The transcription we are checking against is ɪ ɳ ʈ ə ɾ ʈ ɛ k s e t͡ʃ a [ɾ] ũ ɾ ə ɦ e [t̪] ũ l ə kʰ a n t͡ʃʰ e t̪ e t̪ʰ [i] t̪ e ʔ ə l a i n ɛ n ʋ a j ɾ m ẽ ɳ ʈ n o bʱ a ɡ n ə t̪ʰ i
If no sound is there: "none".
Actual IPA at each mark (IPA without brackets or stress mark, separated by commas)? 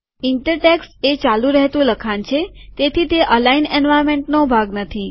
l, t̪, i